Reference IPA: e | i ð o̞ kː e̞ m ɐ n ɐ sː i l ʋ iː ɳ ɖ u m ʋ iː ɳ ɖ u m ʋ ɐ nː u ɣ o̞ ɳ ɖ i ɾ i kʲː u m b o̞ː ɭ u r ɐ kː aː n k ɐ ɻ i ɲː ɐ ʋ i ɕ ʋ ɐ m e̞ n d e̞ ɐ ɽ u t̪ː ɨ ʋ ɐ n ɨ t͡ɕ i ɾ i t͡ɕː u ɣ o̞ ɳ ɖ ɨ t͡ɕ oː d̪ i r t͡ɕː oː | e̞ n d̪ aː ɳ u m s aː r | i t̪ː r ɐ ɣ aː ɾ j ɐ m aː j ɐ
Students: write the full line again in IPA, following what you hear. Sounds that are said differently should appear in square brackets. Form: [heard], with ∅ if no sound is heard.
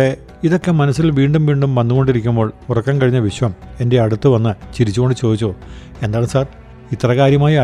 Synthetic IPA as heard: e | i ð o̞ kː e̞ m ɐ n ɐ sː i l ʋ iː ɳ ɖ u m ʋ iː ɳ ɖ u m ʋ ɐ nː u ɣ o̞ ɳ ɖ i ɾ i kʲː u m b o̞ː ɭ u r ɐ kː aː n k ɐ ɻ i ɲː ɐ ʋ i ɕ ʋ ɐ m e̞ n d e̞ ɐ ɽ u t̪ː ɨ ʋ ɐ [nː] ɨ t͡ɕ i ɾ i t͡ɕː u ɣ o̞ ɳ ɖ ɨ t͡ɕ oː d̪ i [∅] t͡ɕː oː | e̞ n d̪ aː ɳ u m s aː r | i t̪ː r ɐ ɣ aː ɾ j ɐ m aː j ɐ